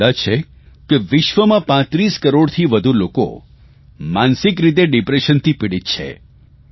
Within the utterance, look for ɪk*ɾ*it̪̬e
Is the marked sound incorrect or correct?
correct